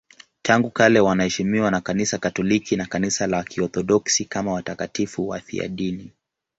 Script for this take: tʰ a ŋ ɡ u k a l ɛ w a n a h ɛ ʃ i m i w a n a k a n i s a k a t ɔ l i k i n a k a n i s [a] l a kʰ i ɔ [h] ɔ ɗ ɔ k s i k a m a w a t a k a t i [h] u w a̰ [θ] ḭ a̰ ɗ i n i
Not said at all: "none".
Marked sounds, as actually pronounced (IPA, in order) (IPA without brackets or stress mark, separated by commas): a, θ, f, θ